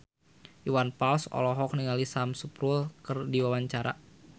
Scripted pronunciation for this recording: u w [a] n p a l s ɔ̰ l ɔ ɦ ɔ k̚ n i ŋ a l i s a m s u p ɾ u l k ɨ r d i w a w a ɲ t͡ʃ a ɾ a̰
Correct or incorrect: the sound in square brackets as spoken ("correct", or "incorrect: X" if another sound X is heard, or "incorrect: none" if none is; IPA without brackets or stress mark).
correct